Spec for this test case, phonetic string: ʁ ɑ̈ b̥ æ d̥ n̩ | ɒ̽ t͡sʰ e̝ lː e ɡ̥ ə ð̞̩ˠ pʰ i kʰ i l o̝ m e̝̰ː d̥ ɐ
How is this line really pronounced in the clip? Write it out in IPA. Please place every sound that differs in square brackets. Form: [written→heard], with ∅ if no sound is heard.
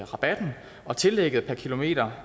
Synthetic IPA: ʁ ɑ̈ b̥ æ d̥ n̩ | ɒ̽ t͡sʰ e̝ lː e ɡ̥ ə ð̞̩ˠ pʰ [i→æ] kʰ i l o̝ m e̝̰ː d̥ ɐ